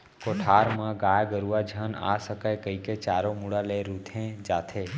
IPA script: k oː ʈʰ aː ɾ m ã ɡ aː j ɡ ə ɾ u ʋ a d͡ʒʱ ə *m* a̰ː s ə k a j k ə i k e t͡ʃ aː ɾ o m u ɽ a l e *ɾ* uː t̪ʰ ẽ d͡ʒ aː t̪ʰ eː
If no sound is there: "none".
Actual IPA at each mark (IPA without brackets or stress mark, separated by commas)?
n, ɾ